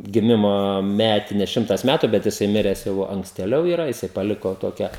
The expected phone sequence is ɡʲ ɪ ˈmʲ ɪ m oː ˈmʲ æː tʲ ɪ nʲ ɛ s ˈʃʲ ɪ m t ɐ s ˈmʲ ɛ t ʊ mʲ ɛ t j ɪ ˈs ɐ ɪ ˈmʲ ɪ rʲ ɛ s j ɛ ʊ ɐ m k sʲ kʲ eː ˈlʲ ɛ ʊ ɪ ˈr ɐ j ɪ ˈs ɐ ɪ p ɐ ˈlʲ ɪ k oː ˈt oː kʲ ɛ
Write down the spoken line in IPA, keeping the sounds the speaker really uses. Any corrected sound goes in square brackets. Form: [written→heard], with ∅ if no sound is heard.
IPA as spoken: ɡʲ ɪ ˈmʲ ɪ m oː ˈmʲ æː tʲ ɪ nʲ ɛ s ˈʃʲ ɪ m t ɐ s ˈmʲ [ɛ→æ] t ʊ [mʲ→bʲ] ɛ t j ɪ ˈs ɐ ɪ ˈmʲ ɪ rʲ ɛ s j ɛ ʊ ɐ [m→ŋ] k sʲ [kʲ→tʲ] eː ˈlʲ ɛ ʊ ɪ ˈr ɐ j ɪ ˈs ɐ ɪ p ɐ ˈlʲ ɪ k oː ˈt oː kʲ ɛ